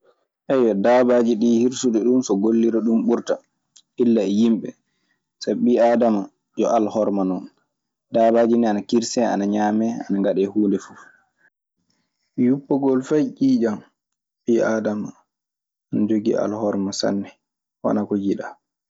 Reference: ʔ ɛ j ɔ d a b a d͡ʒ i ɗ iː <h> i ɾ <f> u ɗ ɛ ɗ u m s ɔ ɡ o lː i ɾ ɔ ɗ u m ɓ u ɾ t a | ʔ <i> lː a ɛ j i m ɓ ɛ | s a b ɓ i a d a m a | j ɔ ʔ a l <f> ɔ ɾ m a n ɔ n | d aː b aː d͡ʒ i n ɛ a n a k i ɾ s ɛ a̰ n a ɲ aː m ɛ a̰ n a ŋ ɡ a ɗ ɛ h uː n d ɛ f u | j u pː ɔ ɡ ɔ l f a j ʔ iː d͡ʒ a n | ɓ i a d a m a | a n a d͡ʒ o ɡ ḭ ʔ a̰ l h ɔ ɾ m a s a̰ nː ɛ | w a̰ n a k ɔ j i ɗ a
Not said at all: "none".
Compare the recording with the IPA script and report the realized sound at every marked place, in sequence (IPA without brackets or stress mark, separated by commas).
h, s, i, h